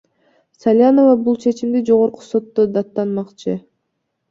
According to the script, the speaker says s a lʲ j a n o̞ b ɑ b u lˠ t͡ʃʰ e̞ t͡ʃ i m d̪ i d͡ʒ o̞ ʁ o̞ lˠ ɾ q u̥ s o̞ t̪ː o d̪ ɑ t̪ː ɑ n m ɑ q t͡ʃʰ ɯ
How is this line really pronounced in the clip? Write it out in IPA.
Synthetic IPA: s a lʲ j a n o̞ v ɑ b u lˠ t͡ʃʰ e̞ t͡ʃ i m d̪ i d͡ʒ o̞ ʁ o̞ ɾ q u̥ s o̞ t̪ː o d̪ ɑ t̪ː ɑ n m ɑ q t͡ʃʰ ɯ